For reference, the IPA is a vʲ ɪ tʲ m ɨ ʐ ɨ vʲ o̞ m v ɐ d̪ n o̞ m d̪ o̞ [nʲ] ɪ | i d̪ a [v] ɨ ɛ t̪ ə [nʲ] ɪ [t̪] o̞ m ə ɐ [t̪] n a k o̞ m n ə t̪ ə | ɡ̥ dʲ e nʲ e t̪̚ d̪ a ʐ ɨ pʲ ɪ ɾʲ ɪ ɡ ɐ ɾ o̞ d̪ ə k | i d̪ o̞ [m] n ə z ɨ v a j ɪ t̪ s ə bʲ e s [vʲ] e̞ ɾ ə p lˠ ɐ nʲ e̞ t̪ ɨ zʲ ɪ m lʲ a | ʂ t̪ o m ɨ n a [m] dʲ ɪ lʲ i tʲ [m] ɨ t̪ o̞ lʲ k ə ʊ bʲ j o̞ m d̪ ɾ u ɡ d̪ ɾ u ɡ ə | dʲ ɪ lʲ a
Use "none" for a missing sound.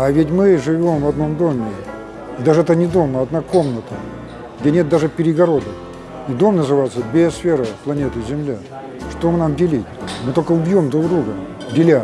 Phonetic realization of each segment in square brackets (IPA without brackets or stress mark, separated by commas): mʲ, ʐ, nʲ, d̪, d̪, m, fʲ, m, m